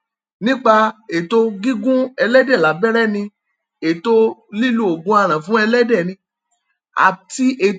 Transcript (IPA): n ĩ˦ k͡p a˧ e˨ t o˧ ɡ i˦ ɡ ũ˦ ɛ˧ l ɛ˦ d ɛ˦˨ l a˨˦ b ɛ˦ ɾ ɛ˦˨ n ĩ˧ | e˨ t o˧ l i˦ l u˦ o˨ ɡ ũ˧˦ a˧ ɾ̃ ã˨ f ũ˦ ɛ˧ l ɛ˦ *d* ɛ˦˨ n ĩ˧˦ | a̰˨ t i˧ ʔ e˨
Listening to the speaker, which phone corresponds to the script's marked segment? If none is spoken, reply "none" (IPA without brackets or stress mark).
d